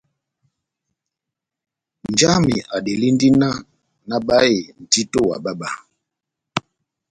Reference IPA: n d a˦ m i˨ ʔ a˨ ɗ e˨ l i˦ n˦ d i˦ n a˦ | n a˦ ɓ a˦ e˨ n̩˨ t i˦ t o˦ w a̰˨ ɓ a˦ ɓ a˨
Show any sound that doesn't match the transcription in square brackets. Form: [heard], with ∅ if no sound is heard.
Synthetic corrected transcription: n [d͡ʒ] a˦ m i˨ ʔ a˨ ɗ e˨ l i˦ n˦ d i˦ n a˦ | n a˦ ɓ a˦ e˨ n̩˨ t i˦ t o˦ w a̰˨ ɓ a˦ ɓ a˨